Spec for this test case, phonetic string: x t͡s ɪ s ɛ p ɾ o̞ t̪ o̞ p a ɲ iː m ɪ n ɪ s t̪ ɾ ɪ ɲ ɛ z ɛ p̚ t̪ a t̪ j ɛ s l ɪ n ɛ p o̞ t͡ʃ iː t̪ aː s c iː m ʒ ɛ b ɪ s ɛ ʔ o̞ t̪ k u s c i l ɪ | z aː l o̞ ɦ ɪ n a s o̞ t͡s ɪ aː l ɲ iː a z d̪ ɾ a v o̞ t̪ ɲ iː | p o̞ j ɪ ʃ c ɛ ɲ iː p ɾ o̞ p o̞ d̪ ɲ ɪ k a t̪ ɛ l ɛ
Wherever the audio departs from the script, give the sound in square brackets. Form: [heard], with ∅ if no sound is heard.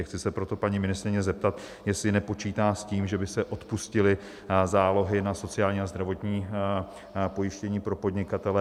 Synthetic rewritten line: x t͡s ɪ s ɛ p ɾ o̞ t̪ o̞ p a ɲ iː m ɪ n ɪ s t̪ ɾ ɪ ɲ ɛ z ɛ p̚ t̪ a t̪ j ɛ s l ɪ n ɛ p o̞ t͡ʃ iː t̪ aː s c iː m ʒ ɛ b ɪ s ɛ ʔ o̞ t̪ [p] u s c [ɪ] l ɪ | z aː l o̞ ɦ ɪ n a s o̞ t͡s ɪ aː l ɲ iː a z d̪ ɾ a v o̞ t̪ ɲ iː | p o̞ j ɪ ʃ c ɛ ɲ iː p ɾ o̞ p o̞ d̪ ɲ ɪ k a t̪ ɛ l ɛ